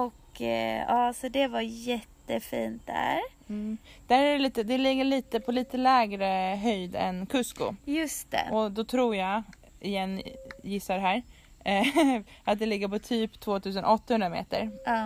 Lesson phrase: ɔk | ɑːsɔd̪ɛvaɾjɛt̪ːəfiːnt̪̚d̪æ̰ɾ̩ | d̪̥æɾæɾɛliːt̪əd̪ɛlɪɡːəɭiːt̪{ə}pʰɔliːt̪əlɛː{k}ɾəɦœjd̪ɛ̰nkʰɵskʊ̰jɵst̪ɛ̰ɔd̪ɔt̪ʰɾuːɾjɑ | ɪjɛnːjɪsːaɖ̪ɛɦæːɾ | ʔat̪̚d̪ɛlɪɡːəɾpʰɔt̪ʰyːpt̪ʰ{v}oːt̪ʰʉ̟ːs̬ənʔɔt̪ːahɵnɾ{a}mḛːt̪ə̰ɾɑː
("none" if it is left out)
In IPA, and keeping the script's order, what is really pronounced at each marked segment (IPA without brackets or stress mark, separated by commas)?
ə, ɡ, v, a